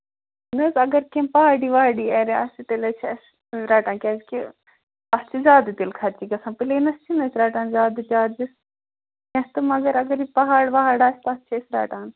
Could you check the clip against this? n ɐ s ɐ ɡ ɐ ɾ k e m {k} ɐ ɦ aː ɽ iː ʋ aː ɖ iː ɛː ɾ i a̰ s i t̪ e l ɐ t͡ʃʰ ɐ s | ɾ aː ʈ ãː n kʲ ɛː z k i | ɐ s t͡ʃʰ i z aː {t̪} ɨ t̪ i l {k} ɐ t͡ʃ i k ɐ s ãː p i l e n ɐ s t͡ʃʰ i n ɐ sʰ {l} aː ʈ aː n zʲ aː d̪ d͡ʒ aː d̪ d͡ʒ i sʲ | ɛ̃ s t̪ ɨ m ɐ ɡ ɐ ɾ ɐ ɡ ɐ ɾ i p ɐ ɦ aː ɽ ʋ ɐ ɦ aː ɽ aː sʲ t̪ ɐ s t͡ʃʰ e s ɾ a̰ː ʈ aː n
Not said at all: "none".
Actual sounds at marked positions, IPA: p, d̪, kʰ, ɾ

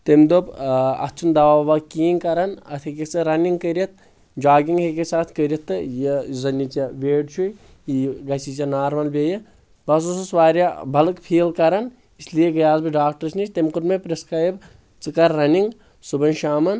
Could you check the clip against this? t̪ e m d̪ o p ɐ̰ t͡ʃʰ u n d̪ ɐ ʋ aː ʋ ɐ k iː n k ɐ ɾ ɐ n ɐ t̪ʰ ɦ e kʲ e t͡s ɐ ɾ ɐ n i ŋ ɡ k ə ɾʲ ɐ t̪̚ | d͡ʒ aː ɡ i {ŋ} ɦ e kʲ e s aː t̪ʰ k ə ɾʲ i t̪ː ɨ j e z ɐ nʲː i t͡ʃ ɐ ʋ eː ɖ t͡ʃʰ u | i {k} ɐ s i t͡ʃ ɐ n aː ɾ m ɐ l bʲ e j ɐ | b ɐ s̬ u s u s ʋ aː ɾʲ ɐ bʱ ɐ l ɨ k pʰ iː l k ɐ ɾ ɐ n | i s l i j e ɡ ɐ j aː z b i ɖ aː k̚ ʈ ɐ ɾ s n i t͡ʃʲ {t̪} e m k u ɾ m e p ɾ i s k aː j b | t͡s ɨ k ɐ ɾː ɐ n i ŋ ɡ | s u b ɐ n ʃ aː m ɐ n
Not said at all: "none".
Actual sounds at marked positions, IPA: ŋ, ɡ, t̪

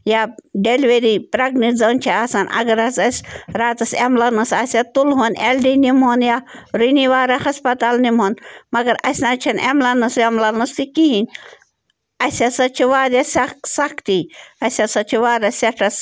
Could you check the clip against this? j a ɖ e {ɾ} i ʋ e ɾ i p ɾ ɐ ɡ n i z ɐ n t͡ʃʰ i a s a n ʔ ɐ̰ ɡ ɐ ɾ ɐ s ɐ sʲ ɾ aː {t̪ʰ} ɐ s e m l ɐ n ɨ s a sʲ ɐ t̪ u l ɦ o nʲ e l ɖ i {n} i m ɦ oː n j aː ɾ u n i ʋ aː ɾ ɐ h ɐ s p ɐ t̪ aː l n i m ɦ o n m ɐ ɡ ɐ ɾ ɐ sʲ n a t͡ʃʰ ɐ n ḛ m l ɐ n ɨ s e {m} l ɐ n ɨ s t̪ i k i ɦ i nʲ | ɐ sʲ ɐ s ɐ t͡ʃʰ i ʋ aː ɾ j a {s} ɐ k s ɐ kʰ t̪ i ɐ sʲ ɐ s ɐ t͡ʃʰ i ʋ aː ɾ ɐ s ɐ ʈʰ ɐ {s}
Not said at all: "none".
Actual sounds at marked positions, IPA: l, t̪, n, m, s, s

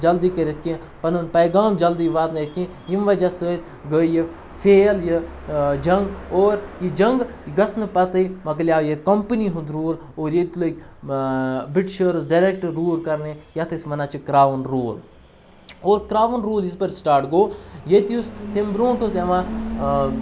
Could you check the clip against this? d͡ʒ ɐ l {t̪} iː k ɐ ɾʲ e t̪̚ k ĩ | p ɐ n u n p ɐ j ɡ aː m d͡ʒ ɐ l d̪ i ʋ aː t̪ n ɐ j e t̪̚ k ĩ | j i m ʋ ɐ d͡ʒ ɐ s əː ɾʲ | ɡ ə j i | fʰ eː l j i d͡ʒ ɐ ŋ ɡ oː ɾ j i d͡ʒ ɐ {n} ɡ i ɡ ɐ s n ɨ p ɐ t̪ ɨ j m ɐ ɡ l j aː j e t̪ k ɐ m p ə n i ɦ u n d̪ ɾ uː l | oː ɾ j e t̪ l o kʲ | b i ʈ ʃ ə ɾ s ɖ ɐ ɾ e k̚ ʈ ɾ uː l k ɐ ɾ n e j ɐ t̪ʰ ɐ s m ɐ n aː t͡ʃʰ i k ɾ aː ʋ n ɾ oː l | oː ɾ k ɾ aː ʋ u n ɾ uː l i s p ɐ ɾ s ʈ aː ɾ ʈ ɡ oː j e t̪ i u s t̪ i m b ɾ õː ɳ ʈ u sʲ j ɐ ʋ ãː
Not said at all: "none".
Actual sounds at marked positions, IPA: d̪, ŋ

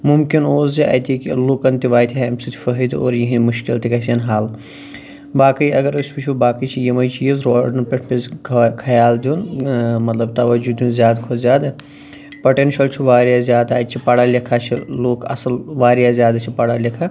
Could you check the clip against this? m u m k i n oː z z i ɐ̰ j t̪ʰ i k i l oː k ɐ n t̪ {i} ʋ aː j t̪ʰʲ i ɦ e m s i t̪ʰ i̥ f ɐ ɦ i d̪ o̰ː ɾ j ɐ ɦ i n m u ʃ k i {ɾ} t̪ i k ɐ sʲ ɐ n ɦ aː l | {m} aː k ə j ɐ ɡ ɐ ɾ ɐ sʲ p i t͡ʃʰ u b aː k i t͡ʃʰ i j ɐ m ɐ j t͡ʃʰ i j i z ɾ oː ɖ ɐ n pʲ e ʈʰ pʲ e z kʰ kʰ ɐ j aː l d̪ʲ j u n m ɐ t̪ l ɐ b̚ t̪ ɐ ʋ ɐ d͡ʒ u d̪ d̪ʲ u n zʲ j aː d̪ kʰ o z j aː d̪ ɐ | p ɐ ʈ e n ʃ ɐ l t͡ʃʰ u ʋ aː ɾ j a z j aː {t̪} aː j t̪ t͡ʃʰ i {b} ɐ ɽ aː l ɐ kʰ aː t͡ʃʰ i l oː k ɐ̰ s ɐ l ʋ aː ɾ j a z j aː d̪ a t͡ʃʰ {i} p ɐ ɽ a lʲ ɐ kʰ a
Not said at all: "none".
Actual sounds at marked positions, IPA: i, l, b, d̪, p, i

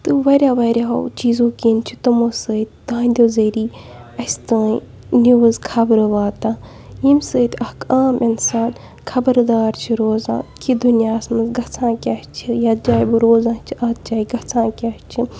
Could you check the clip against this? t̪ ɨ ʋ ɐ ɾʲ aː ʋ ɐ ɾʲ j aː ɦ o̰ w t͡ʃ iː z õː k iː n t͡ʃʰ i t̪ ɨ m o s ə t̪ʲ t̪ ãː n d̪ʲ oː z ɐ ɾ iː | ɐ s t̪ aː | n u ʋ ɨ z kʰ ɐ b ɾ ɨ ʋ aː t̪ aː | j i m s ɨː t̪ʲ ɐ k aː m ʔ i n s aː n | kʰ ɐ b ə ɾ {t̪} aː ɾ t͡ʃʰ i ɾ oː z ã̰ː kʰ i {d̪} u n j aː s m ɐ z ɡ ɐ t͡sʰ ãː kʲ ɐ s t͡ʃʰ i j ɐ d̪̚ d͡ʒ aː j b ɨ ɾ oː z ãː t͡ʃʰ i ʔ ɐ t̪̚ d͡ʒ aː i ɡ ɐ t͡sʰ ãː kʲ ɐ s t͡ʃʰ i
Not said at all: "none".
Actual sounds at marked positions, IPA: d̪, d̪

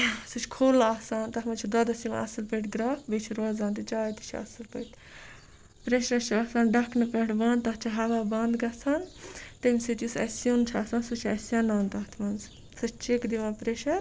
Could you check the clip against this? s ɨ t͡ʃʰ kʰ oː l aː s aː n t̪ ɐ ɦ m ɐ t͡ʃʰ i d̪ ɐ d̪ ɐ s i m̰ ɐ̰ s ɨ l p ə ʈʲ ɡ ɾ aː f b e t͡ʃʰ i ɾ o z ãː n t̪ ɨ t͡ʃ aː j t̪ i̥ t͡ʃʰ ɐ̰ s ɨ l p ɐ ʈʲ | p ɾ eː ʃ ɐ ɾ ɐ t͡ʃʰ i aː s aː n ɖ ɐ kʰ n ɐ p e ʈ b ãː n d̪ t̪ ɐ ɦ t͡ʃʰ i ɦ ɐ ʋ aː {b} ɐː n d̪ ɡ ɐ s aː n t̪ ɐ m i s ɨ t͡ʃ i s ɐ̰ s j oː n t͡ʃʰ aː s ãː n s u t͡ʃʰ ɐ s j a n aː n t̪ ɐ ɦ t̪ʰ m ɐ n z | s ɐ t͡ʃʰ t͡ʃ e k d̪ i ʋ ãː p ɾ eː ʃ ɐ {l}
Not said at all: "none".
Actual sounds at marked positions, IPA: b, ɾ

